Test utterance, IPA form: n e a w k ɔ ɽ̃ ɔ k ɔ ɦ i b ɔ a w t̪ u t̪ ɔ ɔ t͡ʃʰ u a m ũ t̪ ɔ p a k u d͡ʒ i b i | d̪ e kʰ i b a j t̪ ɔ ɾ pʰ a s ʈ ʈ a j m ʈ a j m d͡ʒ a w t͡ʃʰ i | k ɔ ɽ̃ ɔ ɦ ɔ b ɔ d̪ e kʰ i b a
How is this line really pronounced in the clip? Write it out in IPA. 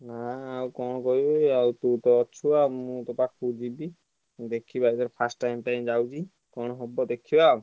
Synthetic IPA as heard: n a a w k ɔ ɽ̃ ɔ k ɔ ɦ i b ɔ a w t̪ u t̪ ɔ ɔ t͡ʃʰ u a m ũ t̪ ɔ p a k u d͡ʒ i b i | d̪ e kʰ i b a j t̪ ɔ ɾ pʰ a s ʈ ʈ a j m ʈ a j m d͡ʒ a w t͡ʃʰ i | k ɔ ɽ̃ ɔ ɦ ɔ b ɔ d̪ e kʰ i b a